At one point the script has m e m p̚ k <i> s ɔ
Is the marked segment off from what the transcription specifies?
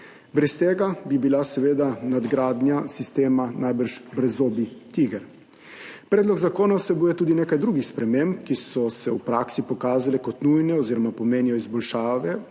no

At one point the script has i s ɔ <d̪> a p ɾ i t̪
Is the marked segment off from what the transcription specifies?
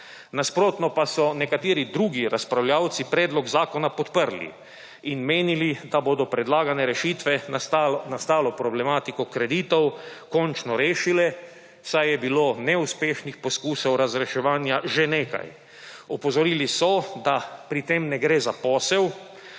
no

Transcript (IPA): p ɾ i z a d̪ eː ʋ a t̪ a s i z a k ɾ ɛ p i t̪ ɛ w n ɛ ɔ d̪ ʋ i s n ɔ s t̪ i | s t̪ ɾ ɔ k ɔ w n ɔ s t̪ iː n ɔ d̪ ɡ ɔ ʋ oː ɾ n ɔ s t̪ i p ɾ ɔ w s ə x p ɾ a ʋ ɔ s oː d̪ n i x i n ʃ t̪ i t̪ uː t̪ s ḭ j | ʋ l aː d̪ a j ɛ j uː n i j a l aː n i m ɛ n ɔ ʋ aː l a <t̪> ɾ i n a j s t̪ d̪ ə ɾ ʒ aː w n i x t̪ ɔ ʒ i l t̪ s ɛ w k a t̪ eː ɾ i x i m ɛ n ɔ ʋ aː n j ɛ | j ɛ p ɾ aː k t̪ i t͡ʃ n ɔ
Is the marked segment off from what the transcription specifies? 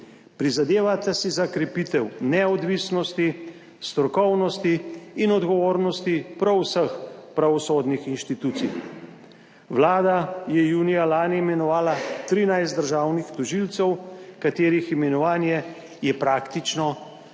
no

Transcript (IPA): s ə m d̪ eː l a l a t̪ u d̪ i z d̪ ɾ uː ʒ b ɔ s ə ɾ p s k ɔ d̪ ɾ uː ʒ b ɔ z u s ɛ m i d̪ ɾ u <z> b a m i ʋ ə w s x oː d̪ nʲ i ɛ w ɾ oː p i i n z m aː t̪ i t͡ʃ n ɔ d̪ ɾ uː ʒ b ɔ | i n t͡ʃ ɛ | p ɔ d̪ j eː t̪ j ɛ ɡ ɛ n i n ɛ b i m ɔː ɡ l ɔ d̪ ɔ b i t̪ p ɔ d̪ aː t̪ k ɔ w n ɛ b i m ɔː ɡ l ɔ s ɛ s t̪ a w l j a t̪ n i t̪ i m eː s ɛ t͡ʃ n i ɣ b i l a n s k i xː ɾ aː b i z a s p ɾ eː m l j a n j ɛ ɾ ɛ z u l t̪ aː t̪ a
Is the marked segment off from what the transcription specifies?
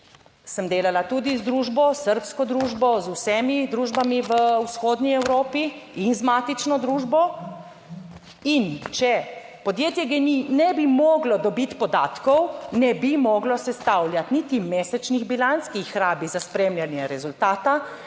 yes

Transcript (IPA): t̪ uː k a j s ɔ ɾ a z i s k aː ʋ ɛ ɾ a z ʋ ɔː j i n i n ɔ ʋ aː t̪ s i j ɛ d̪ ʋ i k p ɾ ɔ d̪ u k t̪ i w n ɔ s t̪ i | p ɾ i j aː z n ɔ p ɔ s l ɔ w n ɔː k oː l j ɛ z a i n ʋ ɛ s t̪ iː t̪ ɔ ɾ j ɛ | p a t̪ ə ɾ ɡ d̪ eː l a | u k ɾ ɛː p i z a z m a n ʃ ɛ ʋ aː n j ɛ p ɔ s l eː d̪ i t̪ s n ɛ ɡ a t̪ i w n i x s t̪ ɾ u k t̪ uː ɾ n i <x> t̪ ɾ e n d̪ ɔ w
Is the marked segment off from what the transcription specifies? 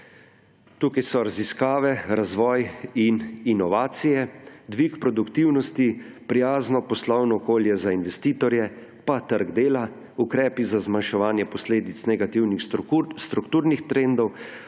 no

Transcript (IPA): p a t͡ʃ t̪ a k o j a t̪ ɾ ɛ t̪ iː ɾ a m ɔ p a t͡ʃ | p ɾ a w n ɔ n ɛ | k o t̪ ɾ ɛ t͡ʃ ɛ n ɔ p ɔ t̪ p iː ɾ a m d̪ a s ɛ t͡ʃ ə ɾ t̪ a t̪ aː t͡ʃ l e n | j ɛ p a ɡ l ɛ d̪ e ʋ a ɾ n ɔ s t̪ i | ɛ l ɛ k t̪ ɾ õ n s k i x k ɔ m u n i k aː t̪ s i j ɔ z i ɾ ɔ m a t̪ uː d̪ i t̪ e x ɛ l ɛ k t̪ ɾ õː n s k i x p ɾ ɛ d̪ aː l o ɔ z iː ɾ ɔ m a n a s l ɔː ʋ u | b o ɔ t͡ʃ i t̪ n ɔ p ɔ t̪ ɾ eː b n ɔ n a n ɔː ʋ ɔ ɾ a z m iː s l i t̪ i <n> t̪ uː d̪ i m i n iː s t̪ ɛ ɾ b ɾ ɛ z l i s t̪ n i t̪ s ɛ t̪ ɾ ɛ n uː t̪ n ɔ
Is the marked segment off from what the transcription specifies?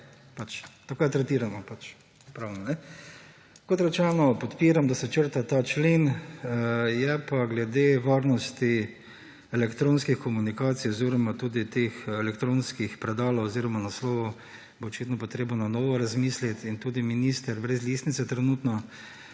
no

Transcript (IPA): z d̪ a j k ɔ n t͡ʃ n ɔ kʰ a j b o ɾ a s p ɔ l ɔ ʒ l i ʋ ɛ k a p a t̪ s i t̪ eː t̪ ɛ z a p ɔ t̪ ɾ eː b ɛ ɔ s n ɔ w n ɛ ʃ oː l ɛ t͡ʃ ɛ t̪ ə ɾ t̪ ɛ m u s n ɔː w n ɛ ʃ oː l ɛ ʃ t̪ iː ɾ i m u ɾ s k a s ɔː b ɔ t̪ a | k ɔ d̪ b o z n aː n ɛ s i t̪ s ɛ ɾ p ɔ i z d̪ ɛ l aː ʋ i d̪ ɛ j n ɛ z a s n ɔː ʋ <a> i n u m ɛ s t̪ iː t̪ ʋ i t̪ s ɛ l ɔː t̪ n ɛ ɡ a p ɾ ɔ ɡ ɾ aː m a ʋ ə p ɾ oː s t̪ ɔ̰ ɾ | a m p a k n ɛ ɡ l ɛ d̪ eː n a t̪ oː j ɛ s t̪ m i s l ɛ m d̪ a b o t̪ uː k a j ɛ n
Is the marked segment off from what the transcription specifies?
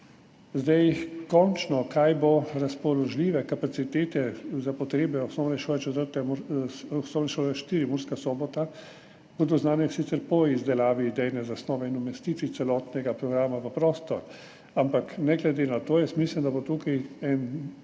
yes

